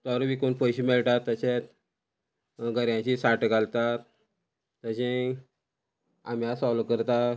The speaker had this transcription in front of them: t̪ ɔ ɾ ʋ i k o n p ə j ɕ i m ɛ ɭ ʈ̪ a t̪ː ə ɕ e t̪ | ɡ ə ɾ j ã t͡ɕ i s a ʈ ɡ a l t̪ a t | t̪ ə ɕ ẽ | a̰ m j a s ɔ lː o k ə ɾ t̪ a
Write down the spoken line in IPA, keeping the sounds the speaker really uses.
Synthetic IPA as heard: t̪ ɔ ɾ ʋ i k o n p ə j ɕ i m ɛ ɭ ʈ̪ a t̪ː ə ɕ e t̪ | ɡ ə ɾ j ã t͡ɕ i s a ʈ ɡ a l t̪ a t | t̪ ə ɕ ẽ | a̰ m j a s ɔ l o k ə ɾ t̪ a